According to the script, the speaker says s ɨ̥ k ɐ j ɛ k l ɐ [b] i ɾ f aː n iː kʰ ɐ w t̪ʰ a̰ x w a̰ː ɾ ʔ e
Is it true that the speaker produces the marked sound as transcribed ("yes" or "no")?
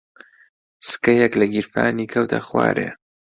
no